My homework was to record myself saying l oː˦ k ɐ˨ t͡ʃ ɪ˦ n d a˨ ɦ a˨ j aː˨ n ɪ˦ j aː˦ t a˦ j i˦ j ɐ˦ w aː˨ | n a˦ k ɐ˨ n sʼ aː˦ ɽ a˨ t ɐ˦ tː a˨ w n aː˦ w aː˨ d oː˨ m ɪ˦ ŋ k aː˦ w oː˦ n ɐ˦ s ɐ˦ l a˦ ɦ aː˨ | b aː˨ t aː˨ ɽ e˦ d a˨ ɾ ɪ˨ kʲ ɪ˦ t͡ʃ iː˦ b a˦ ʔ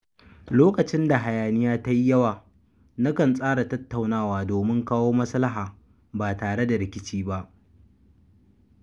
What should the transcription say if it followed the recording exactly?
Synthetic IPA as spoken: l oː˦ k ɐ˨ t͡ʃ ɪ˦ n d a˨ ɦ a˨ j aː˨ n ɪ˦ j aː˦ t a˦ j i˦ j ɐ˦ w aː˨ | n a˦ k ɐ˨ n sʼ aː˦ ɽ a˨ t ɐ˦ tː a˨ w n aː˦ w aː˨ d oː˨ m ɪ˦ ŋ k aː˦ w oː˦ m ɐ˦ s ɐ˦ l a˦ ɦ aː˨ | b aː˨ t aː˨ ɽ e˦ d a˨ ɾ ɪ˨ kʲ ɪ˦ t͡ʃ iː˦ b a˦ ʔ